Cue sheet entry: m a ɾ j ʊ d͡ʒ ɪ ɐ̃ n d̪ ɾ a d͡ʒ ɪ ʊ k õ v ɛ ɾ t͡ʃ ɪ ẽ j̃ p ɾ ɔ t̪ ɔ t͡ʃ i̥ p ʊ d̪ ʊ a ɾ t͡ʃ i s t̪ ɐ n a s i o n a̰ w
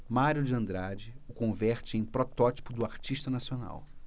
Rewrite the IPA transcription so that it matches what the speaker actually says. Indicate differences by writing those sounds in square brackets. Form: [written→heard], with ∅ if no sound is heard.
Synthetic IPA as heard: m a ɾ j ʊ d͡ʒ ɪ ɐ̃ n d̪ ɾ a d͡ʒ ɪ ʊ k õ v ɛ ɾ t͡ʃ ɪ ẽ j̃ p ɾ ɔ t̪ ɔ t͡ʃ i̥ p ʊ d̪ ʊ a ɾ t͡ʃ i [s→ʃ] t̪ ɐ n a s i o n a̰ w